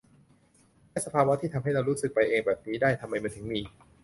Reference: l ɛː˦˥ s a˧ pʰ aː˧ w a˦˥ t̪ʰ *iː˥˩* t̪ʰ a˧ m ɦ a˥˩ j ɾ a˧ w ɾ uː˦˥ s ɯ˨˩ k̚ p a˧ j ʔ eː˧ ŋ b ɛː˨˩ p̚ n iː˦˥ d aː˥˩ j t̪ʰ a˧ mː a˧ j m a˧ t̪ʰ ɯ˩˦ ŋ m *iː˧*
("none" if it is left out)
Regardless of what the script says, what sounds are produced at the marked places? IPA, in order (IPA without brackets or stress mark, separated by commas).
iː˥˩, iː˧